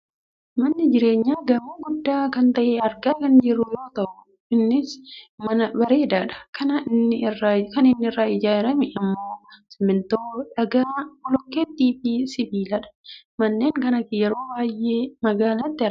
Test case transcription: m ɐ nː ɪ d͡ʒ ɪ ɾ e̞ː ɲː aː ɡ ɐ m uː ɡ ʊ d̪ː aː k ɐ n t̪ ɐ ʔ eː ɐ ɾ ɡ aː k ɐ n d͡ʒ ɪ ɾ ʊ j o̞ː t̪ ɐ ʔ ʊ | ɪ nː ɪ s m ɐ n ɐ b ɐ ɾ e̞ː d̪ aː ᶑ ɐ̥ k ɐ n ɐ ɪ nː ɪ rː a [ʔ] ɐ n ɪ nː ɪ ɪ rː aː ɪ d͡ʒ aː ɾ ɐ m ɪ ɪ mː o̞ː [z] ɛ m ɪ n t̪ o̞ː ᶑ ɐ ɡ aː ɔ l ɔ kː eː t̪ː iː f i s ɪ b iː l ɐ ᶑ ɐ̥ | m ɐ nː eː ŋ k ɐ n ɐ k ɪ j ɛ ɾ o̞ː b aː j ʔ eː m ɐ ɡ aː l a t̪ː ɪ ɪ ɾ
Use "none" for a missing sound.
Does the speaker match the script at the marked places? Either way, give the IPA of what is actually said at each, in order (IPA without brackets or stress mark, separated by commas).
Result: k, s